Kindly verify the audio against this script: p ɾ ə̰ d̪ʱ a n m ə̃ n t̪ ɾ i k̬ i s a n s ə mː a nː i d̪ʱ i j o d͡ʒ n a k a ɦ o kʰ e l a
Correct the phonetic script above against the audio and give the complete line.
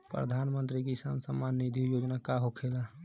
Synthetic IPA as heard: p ɾ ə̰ d̪ʱ a n m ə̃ n t̪ ɾ i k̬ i s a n s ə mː a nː i d̪ʱ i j o d͡ʒ n a k a ɦ o kʰ e l a